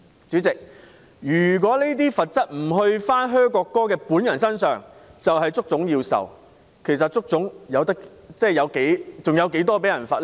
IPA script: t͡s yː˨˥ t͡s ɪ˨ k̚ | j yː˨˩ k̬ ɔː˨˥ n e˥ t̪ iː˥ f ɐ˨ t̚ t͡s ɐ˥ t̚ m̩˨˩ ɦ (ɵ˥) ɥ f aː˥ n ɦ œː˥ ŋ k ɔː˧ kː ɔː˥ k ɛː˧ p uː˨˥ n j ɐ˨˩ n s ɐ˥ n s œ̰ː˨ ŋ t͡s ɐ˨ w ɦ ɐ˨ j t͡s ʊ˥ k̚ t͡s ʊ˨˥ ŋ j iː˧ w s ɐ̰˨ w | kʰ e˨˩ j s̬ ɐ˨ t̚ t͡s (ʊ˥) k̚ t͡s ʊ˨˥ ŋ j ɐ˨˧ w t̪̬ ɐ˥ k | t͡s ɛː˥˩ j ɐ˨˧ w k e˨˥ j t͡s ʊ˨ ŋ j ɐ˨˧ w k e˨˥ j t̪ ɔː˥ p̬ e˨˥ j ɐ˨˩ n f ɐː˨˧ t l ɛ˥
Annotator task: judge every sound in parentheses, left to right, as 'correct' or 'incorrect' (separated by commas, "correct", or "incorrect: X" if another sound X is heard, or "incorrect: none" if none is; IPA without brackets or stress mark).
incorrect: ɵ˧, correct